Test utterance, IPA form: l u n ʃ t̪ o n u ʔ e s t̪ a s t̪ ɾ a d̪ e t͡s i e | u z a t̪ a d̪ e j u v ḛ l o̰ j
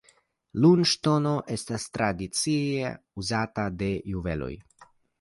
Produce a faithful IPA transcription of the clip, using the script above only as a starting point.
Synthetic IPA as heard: l u n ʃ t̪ o n o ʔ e s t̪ a s t̪ ɾ a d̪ i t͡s i e | u z a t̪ a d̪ e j u v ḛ l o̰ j